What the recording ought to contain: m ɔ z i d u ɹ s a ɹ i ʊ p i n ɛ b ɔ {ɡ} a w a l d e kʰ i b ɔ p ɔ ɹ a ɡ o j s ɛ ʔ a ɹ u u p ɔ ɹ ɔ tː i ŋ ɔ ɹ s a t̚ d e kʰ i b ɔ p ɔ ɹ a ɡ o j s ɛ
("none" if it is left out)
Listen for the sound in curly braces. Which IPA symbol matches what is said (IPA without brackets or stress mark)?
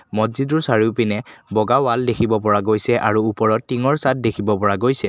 ɡ